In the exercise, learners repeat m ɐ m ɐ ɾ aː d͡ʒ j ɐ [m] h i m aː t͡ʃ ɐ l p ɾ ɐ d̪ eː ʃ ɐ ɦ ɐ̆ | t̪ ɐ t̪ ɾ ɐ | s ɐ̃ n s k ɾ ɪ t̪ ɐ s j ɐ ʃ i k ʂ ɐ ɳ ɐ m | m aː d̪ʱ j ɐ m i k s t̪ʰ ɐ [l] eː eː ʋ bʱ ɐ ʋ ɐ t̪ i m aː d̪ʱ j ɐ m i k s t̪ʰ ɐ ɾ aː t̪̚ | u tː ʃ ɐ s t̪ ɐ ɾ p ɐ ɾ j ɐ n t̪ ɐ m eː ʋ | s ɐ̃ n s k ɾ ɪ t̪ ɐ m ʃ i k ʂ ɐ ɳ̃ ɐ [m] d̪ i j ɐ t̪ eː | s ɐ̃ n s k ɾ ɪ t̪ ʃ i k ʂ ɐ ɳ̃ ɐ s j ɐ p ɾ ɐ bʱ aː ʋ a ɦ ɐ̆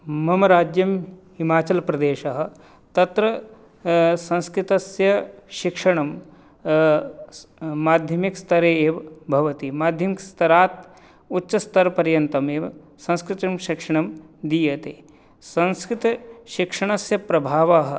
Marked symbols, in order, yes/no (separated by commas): yes, no, yes